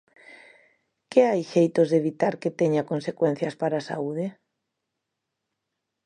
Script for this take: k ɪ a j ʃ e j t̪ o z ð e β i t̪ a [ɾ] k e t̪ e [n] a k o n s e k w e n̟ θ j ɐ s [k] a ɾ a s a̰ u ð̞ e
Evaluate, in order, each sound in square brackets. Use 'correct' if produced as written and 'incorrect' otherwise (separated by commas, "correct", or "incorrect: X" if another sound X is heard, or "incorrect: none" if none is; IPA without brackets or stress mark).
correct, incorrect: ɲ, incorrect: p